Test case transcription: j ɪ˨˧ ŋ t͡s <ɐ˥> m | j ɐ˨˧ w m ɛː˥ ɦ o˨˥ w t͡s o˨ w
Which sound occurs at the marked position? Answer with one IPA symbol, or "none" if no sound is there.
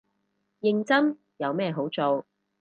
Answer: ɐ˥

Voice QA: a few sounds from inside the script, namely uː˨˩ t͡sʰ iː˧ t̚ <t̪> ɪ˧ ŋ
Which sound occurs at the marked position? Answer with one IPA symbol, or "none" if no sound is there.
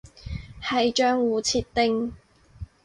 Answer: t̪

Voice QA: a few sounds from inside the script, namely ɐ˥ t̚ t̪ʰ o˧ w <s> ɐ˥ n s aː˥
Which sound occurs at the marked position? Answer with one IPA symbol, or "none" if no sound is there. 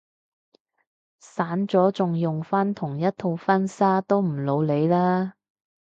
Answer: f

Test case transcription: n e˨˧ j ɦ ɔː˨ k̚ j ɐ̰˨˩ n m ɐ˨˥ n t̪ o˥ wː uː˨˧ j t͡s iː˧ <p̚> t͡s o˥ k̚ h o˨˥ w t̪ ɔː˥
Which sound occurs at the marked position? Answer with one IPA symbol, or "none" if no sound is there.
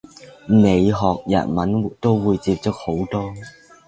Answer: p̚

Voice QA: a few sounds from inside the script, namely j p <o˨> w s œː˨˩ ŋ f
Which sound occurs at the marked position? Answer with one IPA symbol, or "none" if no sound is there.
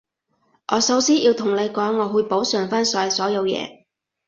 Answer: o˨˥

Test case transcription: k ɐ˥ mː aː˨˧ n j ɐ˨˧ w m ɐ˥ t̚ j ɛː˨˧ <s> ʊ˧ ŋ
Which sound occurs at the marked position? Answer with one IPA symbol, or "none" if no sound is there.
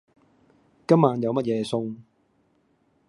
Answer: s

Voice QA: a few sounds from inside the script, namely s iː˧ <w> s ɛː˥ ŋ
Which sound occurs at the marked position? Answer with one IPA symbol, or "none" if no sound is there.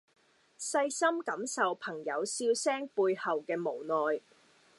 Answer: w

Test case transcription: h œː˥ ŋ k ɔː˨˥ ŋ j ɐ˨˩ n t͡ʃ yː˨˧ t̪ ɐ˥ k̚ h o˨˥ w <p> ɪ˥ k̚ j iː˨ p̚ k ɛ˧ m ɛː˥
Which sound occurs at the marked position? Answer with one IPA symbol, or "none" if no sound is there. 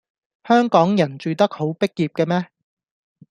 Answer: p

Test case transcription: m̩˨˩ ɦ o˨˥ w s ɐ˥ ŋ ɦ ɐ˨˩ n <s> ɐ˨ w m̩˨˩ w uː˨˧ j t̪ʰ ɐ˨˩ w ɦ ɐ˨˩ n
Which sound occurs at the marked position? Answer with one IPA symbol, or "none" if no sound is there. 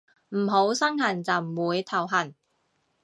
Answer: t͡s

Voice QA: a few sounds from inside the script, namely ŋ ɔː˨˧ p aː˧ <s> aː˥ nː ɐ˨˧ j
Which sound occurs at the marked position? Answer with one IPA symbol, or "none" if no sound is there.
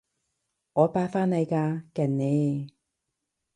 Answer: f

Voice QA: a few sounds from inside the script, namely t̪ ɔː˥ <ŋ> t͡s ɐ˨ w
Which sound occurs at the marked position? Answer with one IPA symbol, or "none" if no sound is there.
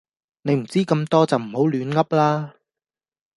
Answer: none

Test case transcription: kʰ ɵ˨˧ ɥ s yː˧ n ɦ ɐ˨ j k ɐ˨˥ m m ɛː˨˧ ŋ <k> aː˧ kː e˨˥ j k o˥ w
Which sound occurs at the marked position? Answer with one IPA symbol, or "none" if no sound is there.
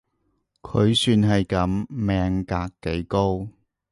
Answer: k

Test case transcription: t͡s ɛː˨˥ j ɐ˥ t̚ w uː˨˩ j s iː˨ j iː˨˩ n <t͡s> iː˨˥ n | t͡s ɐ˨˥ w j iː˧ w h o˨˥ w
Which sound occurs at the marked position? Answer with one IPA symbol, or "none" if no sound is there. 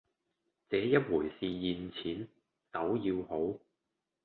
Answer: t͡sʰ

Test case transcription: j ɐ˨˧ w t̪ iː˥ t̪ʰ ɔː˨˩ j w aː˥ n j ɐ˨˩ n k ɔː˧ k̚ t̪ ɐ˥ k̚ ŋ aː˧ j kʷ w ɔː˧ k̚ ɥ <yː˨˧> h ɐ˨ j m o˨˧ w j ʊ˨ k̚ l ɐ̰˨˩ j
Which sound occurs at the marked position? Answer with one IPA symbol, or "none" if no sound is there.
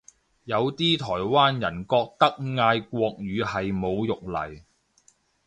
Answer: yː˨˧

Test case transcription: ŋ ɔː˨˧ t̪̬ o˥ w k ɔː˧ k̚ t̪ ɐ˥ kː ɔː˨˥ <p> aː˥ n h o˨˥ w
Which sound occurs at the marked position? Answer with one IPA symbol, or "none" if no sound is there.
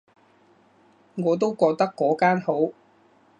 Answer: k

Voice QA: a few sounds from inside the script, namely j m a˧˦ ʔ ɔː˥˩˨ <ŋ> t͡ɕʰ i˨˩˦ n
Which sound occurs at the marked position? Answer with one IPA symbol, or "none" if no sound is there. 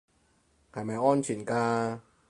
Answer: n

